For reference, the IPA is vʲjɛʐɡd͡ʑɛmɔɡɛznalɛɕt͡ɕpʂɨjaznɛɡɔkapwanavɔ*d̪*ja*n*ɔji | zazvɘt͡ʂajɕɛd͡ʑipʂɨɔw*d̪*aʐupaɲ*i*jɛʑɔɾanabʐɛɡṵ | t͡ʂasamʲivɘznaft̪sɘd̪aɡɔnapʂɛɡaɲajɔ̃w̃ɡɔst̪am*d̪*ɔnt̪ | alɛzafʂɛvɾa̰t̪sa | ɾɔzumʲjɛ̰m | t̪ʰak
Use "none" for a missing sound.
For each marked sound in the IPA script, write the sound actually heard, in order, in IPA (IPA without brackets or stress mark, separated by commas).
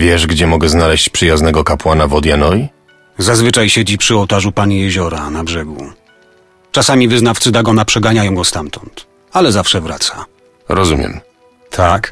d̪, n, t̪, i, t̪